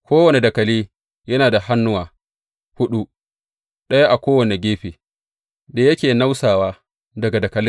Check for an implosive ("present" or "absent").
present